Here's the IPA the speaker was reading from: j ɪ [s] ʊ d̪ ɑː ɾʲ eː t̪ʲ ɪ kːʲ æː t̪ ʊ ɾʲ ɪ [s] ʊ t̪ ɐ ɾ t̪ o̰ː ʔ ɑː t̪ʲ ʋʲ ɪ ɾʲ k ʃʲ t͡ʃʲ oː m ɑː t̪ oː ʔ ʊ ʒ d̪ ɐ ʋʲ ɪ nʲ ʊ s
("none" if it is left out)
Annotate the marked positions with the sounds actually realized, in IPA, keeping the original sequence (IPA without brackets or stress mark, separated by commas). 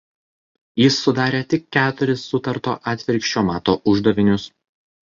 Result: sː, sː